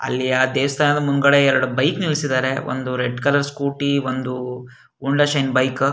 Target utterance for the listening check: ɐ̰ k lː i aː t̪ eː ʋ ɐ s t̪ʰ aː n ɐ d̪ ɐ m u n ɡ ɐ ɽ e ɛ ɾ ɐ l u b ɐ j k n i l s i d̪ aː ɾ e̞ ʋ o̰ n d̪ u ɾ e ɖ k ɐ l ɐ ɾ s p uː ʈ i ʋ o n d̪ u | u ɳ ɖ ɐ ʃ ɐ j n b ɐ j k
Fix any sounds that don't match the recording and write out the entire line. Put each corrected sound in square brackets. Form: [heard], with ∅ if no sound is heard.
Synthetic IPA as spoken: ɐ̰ [∅] lː i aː [d̪] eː ʋ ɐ s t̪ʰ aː n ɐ d̪ ɐ m u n ɡ ɐ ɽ e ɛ ɾ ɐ [ɽ] u b ɐ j k n i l s i d̪ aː ɾ e̞ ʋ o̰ n d̪ u ɾ e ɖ k ɐ l ɐ ɾ s [k] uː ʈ i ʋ o n d̪ u | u ɳ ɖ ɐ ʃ ɐ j n b ɐ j k